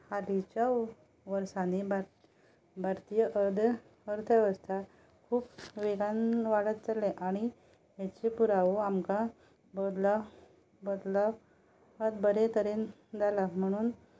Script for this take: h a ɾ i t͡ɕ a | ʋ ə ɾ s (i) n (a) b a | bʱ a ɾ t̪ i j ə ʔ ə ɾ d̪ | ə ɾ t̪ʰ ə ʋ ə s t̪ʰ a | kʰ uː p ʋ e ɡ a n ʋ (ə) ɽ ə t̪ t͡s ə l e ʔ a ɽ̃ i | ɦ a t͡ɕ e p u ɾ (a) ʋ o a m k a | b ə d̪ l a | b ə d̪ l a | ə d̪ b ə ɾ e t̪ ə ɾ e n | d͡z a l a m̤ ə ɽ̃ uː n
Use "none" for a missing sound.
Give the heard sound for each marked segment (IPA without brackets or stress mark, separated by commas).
a, e, a, a